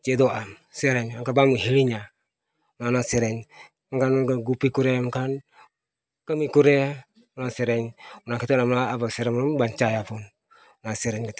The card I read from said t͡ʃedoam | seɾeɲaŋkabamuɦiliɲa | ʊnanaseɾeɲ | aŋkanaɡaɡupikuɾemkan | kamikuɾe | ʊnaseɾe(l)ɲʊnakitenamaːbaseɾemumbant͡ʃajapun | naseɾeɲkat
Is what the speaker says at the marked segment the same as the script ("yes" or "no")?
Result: no